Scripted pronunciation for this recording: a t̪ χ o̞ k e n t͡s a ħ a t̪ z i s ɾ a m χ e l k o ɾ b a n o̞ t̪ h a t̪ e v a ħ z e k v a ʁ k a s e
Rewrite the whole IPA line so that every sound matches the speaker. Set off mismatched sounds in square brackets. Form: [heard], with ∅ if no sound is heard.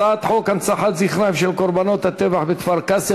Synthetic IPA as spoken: a t̪ [ħ] o̞ k [a] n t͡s a ħ a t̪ z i [χ] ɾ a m [ʃ] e l k o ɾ b a n o̞ t̪ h a t̪ e v a ħ [v] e k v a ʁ k a s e